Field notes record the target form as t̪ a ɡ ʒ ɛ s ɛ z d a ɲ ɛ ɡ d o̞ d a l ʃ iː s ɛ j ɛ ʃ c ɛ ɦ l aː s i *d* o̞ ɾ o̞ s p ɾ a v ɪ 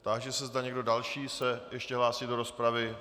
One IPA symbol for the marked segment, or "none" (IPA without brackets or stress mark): d